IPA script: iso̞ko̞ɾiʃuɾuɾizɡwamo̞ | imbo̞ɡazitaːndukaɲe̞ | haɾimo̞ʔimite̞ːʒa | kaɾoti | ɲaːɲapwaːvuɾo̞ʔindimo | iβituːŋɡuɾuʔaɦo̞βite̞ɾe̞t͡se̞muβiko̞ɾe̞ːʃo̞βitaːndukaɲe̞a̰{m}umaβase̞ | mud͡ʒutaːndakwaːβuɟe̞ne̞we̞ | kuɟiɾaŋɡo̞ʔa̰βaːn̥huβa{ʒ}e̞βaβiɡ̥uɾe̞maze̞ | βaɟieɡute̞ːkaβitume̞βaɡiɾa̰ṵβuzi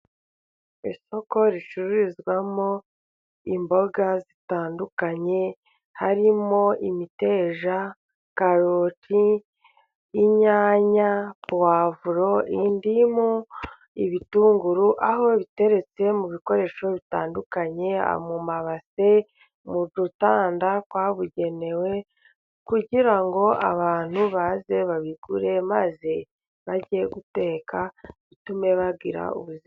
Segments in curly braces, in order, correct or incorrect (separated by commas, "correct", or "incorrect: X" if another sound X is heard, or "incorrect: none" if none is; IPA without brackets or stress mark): correct, incorrect: z